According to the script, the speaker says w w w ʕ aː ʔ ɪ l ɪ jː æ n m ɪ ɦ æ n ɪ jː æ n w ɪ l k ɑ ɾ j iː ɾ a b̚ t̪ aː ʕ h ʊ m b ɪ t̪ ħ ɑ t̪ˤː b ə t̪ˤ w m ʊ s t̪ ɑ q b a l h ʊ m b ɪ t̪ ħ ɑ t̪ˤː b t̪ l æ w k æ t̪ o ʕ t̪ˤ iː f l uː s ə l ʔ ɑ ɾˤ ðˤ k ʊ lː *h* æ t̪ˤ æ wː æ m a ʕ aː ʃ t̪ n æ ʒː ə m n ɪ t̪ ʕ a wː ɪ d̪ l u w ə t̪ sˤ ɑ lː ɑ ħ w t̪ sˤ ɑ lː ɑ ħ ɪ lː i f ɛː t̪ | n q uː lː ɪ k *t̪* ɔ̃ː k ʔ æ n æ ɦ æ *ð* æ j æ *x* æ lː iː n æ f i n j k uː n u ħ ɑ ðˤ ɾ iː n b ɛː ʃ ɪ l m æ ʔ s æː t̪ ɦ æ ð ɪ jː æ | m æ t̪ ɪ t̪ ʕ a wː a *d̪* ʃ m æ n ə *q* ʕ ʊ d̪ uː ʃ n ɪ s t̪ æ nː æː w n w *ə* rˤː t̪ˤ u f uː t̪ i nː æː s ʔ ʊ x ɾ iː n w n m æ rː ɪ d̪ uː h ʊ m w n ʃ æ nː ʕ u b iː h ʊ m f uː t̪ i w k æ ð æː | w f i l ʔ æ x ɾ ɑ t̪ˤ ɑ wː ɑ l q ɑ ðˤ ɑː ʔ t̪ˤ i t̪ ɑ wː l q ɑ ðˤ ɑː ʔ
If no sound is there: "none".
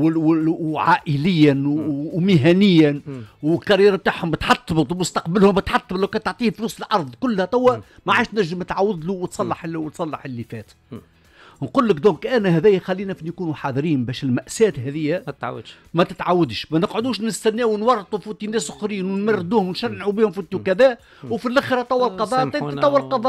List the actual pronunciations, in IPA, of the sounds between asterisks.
h, d̪, ð, x, d̪, q, ɑ

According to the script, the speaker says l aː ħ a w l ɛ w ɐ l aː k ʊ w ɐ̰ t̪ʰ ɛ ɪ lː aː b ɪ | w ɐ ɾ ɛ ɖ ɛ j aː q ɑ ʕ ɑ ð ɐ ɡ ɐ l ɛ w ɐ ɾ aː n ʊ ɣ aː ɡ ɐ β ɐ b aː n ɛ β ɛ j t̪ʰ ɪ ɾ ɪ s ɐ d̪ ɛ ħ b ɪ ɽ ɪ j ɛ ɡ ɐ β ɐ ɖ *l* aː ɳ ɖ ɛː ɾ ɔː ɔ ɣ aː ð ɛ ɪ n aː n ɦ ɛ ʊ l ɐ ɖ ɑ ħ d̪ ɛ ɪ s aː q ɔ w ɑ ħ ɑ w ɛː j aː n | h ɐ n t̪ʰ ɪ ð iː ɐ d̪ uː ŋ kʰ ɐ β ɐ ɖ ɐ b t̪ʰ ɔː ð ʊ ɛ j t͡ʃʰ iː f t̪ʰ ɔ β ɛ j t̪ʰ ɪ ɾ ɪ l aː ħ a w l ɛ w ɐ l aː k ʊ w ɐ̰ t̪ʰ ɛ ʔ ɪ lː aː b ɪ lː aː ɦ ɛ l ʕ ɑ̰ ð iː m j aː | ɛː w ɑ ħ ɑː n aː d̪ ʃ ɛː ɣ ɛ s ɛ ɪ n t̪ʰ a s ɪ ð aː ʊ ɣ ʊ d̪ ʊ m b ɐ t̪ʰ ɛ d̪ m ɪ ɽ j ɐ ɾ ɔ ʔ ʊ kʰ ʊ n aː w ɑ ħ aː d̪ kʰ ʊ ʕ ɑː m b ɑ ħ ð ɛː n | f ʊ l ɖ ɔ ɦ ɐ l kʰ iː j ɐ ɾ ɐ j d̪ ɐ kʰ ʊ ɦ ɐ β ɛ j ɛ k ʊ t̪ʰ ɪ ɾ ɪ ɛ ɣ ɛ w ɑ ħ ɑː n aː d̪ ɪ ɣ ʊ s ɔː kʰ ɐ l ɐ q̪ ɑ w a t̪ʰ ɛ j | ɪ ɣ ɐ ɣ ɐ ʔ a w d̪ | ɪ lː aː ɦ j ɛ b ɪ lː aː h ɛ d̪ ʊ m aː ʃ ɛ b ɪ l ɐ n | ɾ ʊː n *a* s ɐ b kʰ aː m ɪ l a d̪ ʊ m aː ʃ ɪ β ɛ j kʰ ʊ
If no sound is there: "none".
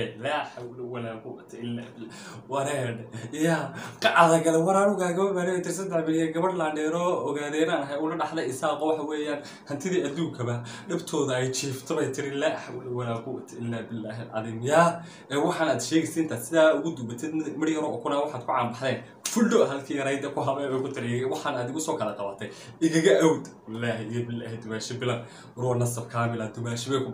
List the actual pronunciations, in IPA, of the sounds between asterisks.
l, ɐ

